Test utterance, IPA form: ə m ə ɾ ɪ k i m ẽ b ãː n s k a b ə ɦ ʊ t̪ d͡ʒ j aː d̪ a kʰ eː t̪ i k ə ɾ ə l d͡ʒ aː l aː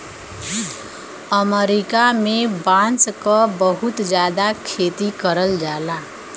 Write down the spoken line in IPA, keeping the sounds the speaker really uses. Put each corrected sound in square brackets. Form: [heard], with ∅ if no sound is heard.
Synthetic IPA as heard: ə m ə ɾ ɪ k [a] m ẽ b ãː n s k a b ə ɦ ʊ t̪ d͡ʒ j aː d̪ a kʰ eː t̪ i k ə ɾ ə l d͡ʒ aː l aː